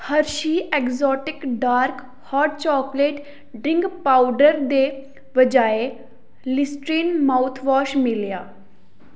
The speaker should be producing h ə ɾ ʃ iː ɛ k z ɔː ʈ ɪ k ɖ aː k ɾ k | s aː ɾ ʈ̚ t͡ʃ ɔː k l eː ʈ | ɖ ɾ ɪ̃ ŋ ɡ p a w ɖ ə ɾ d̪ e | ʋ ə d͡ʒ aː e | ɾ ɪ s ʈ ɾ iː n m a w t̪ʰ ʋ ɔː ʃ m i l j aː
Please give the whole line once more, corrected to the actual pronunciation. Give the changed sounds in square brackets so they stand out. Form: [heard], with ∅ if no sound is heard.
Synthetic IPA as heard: h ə ɾ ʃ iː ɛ k z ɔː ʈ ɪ k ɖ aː [∅] ɾ k | [h] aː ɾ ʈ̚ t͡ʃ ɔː k l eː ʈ | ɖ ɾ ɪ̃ ŋ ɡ p a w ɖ ə ɾ d̪ e | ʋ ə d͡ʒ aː e | [l] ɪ s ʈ ɾ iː n m a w t̪ʰ ʋ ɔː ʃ m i l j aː